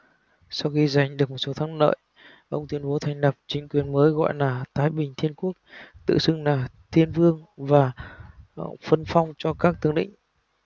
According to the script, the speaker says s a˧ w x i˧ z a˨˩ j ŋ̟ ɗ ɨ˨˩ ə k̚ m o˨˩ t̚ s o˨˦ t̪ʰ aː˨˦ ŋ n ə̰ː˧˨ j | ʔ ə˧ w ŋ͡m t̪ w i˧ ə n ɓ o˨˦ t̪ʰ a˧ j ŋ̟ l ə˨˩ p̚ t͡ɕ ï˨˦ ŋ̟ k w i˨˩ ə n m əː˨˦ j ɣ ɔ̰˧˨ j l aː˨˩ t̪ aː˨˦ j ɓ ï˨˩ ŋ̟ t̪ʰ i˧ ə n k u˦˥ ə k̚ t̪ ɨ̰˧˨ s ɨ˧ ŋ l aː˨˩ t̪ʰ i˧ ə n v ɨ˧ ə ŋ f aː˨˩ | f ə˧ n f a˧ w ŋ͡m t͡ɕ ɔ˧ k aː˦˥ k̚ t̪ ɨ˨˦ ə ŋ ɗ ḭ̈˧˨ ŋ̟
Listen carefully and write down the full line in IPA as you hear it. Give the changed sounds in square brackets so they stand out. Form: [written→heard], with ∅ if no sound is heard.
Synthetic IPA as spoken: s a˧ w x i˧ z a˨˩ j ŋ̟ ɗ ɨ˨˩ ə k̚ m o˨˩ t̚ s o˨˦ t̪ʰ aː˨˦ ŋ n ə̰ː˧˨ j | ʔ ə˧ w ŋ͡m t̪ w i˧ ə n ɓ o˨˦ t̪ʰ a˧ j ŋ̟ l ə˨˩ p̚ t͡ɕ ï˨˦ ŋ̟ k w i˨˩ ə n m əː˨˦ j ɣ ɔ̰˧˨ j l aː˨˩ t̪ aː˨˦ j ɓ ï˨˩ ŋ̟ t̪ʰ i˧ ə n k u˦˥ ə k̚ t̪ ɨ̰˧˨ s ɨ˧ ŋ l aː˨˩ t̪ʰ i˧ ə n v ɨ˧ ə ŋ [f→v] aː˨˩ | f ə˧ n f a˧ w ŋ͡m t͡ɕ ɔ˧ k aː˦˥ k̚ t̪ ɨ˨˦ ə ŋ ɗ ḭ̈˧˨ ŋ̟